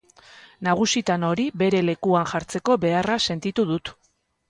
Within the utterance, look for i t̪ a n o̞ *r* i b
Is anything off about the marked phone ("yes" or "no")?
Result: yes